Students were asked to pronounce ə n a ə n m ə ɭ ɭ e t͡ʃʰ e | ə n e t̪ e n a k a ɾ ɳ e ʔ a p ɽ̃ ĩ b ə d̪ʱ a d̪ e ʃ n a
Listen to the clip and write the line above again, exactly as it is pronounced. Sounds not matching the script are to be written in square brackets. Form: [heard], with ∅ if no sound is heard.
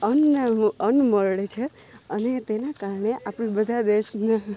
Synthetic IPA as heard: ə n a ə n m ə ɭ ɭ e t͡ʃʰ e | ə n e t̪ e n a k a ɾ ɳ e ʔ a p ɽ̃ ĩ b ə d̪ʱ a d̪ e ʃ n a